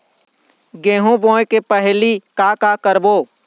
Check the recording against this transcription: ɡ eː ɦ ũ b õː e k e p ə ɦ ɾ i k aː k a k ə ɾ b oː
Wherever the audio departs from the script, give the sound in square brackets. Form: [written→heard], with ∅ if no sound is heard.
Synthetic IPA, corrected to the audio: ɡ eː ɦ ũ b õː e k e p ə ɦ [ɾ→l] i k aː k a k ə ɾ b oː